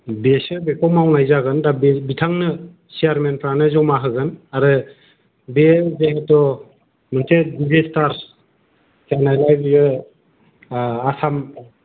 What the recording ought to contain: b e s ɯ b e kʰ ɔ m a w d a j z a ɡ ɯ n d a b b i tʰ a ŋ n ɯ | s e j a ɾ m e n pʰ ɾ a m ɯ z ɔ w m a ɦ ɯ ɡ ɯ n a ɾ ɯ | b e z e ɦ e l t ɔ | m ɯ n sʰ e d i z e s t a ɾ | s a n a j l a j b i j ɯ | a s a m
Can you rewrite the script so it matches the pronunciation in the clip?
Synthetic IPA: b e s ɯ b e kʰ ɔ m a w n a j z a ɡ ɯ n d a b b i tʰ a ŋ n ɯ | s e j a ɾ m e n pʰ ɾ a n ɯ z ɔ w m a ɦ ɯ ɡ ɯ n a ɾ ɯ | b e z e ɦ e t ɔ | m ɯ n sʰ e d i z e s t a ɾ | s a n a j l a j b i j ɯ | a s a m